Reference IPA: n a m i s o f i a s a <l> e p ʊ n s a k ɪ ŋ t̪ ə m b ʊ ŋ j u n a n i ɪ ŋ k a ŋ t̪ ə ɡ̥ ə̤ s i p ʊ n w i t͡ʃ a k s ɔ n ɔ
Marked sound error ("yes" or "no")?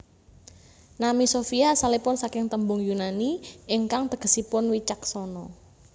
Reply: no